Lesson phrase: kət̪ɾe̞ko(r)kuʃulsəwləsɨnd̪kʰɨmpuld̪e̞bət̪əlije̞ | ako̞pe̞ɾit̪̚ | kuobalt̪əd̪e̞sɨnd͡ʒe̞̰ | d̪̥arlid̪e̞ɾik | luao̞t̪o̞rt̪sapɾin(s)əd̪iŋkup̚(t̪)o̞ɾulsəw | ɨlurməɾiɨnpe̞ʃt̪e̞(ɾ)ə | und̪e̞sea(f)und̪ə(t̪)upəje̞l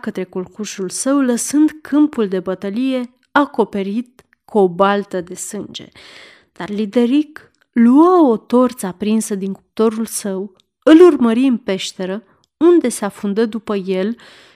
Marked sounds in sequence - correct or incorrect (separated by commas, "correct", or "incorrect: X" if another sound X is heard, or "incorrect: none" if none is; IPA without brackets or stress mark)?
incorrect: l, correct, correct, correct, correct, incorrect: d̪